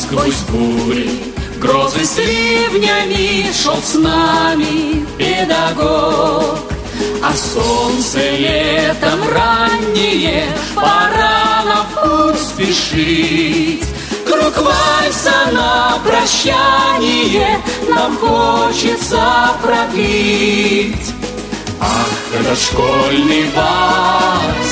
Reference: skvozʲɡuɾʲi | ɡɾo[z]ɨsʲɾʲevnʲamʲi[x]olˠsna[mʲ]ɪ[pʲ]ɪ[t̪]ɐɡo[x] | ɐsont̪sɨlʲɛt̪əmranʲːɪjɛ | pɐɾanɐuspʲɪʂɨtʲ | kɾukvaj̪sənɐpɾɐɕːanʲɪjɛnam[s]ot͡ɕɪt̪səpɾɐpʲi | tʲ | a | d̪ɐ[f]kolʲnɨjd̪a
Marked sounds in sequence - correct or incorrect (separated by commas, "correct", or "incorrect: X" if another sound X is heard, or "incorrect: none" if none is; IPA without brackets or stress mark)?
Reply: correct, incorrect: ʂ, correct, correct, incorrect: d̪, incorrect: k, incorrect: x, incorrect: ʂ